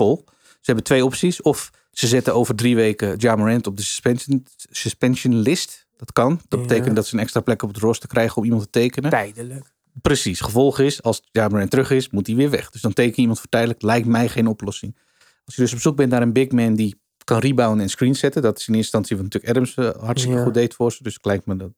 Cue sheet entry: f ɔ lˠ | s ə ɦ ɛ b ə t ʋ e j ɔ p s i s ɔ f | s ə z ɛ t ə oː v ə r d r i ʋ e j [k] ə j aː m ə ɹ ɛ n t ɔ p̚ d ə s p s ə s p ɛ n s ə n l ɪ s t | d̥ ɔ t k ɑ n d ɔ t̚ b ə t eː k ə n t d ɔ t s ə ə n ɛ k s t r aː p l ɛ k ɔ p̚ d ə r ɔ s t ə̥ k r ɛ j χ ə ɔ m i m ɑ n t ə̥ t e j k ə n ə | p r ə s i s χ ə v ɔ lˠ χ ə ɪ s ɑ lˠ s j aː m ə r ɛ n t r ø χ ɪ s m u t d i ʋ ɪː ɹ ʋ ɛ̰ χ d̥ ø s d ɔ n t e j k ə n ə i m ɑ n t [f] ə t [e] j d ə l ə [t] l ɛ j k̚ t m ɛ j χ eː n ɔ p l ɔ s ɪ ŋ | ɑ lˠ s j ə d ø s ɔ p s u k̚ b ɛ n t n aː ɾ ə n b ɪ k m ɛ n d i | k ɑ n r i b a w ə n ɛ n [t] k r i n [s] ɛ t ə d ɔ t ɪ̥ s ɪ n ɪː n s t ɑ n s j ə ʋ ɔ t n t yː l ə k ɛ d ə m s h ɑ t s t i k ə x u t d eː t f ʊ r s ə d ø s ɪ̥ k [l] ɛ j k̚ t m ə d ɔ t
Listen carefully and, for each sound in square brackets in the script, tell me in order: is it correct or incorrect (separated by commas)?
correct, correct, incorrect, incorrect, incorrect, correct, correct